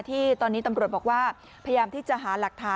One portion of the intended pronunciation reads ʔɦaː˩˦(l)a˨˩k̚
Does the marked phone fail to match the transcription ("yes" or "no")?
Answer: no